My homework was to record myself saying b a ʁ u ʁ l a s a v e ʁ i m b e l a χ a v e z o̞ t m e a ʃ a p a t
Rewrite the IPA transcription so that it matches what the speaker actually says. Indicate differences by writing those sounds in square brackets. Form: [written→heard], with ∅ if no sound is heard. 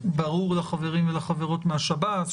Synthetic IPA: b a ʁ u ʁ l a [s→χ] a v e ʁ i m [b→v] e l a χ a v e [z→ʁ] o̞ t m e a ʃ a [p→b] a t